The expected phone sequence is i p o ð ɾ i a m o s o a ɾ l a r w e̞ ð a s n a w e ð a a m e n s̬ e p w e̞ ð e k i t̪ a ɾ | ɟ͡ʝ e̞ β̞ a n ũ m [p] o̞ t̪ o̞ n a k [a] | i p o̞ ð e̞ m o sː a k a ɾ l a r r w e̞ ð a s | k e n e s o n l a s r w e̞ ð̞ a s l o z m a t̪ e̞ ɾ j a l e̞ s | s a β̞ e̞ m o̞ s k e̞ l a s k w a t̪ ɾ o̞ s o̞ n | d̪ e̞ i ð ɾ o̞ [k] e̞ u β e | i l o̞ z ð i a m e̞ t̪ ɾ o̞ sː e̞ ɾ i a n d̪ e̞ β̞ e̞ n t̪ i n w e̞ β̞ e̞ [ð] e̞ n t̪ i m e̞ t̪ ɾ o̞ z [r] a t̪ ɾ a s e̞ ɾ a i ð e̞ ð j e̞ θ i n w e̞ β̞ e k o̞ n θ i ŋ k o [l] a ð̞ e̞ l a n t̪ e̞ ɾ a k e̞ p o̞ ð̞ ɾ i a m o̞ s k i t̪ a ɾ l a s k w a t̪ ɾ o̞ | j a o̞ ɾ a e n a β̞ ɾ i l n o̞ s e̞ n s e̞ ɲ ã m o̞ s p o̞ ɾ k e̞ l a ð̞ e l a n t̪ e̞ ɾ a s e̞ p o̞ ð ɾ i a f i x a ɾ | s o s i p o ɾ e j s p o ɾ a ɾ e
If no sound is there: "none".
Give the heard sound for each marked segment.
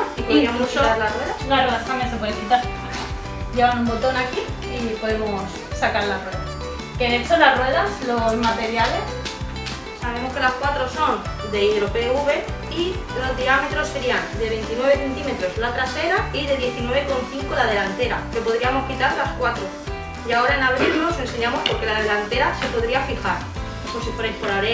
b, i, p, θ, l, l

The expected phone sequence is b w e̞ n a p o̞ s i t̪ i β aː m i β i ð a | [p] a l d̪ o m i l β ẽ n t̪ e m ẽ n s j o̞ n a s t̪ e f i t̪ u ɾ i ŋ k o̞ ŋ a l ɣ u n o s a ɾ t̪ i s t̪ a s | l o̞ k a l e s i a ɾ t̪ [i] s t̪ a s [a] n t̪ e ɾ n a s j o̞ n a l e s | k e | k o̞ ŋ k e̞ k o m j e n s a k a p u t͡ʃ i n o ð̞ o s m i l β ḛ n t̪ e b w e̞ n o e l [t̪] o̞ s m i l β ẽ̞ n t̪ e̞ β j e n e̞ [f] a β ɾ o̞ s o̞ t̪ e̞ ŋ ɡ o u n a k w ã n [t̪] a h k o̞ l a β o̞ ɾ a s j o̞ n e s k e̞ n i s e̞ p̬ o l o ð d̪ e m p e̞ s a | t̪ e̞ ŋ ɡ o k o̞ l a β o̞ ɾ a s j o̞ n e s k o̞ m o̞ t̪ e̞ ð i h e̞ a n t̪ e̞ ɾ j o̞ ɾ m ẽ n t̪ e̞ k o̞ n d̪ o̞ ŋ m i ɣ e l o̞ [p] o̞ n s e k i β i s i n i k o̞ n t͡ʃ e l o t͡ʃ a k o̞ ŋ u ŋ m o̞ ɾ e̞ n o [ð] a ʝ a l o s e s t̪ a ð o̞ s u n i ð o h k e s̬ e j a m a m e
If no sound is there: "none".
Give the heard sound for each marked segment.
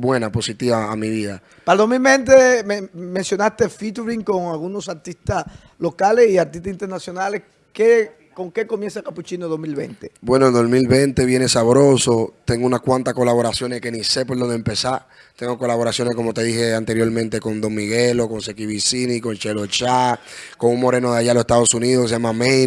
p, i, i, d̪, s, t̪, k, ð

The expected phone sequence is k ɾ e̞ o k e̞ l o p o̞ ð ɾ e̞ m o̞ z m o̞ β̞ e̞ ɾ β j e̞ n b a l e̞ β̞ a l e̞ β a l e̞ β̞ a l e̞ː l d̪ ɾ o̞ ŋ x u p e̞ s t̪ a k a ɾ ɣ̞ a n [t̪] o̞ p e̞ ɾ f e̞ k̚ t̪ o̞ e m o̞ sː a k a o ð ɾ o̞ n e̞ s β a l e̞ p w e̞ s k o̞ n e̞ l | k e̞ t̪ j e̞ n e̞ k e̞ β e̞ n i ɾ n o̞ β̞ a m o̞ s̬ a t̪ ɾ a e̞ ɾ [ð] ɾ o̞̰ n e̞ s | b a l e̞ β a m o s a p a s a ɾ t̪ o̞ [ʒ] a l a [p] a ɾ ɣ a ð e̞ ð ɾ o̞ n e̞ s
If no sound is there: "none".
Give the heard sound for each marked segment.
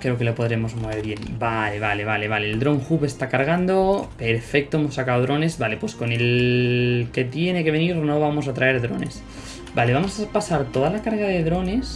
d̪, ð, ð, k

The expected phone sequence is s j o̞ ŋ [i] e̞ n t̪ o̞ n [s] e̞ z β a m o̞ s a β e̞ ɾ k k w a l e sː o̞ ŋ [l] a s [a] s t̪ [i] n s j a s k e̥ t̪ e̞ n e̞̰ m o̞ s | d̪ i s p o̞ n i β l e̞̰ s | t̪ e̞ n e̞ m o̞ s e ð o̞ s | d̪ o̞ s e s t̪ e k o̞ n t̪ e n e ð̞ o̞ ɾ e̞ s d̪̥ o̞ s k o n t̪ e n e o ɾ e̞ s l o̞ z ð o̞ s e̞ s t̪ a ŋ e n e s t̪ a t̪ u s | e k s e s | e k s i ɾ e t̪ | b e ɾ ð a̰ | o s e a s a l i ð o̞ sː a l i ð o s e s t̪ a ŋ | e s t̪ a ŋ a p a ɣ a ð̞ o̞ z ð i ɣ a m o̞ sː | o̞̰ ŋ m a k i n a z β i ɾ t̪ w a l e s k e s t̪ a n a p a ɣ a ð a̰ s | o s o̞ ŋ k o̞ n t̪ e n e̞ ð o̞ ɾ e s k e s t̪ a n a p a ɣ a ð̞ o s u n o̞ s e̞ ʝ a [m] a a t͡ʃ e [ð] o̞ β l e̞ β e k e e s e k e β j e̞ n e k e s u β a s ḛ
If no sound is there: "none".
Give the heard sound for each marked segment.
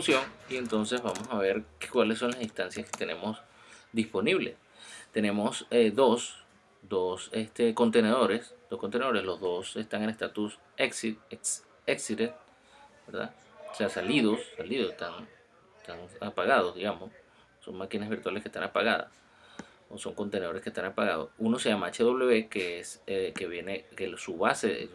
i, s, l, i, a, m, ð

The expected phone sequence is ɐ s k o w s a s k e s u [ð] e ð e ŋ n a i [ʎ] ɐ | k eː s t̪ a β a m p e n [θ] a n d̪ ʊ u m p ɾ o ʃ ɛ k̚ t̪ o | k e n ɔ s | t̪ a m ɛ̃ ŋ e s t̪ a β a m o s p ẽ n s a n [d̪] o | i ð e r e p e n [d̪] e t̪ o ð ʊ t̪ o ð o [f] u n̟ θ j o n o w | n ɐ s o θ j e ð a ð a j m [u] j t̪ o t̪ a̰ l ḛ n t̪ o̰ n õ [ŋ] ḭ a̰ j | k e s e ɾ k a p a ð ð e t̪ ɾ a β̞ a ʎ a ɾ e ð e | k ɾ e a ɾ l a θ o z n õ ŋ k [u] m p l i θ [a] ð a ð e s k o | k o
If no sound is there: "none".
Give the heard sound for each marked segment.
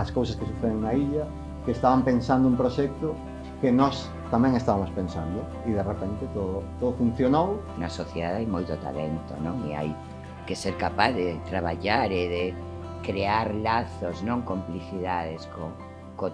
θ, ʎ, s, d̪, t̪, f, o, ŋ, o, i

